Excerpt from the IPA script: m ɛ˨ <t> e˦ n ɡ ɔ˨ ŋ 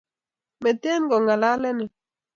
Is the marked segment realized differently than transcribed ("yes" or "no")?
no